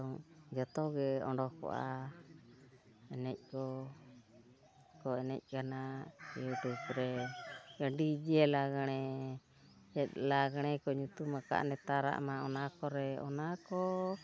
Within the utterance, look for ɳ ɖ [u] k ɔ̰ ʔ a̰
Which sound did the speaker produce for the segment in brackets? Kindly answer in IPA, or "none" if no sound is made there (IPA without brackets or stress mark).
ɔ